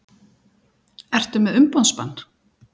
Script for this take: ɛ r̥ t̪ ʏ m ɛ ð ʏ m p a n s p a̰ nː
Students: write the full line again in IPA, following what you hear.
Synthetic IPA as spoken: ɛ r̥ t̪ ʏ m ɛ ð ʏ m p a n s p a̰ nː